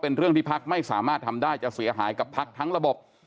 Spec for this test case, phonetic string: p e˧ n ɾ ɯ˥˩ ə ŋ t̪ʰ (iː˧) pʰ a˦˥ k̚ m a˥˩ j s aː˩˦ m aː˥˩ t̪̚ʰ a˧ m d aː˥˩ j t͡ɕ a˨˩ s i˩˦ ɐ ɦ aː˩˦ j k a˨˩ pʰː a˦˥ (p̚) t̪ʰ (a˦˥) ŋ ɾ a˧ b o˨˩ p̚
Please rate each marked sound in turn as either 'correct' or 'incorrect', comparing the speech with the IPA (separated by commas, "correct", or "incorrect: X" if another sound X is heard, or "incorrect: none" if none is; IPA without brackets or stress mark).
incorrect: iː˥˩, incorrect: k̚, correct